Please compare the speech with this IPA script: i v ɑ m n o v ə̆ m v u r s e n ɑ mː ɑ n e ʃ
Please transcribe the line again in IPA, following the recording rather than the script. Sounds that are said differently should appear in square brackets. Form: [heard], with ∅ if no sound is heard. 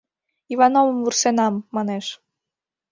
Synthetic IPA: i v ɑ [∅] n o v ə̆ m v u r s e n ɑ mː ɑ n e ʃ